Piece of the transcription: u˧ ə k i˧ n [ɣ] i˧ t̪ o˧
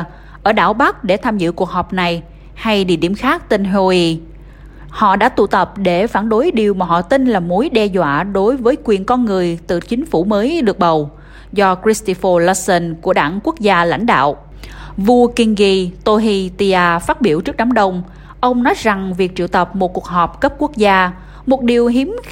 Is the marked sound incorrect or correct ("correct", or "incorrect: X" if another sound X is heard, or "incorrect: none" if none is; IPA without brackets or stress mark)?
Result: correct